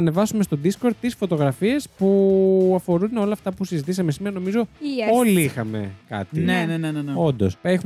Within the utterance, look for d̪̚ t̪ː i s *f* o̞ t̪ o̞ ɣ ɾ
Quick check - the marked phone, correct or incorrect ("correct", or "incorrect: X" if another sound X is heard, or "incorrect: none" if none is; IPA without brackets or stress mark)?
correct